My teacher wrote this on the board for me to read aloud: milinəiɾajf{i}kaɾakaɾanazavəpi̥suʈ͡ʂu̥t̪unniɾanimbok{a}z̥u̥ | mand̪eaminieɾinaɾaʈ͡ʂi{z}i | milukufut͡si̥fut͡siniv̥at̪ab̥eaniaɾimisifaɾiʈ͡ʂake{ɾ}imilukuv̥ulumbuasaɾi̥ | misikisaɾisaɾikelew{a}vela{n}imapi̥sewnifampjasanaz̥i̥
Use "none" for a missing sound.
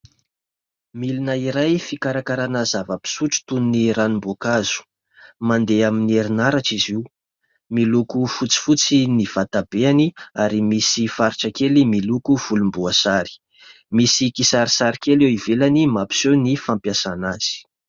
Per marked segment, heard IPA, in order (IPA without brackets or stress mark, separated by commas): i, a, z, l, i, n